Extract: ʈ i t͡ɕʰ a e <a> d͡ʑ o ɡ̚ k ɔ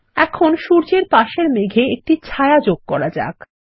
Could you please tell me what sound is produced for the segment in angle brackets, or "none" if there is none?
a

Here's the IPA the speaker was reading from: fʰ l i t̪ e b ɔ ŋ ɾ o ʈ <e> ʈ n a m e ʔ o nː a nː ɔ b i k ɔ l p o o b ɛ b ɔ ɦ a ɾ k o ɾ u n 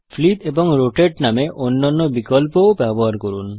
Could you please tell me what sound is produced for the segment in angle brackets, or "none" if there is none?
e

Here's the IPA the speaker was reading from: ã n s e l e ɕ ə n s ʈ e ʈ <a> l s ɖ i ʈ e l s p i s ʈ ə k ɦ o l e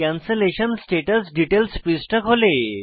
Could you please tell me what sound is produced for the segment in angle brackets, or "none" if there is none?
ə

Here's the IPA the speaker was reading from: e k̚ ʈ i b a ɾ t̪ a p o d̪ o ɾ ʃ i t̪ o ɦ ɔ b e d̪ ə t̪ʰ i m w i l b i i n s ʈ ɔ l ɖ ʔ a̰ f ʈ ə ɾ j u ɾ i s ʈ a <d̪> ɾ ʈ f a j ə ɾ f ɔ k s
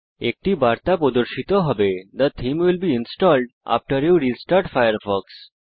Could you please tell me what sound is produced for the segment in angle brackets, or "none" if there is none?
none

